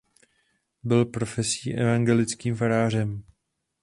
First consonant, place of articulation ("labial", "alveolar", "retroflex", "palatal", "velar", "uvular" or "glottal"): labial